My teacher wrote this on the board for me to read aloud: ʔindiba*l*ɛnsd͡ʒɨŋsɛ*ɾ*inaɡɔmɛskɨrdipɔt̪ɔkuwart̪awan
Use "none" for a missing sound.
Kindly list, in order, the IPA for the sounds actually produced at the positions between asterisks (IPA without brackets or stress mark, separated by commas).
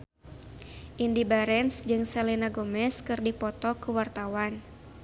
ɾ, l